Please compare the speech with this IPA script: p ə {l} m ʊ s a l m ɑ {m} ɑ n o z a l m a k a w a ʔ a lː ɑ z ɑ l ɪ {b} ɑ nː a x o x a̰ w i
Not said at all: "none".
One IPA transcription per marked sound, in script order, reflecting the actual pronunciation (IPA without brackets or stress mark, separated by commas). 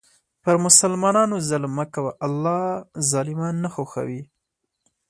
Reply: ɾ, n, m